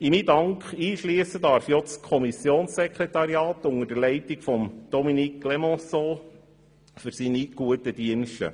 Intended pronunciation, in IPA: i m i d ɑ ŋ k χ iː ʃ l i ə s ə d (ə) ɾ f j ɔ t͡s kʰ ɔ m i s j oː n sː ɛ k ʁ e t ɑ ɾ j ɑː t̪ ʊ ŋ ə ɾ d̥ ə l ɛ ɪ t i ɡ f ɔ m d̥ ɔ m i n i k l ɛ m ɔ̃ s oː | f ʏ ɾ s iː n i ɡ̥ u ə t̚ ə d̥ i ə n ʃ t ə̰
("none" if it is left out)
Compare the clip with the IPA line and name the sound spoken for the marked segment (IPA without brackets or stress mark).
ɑ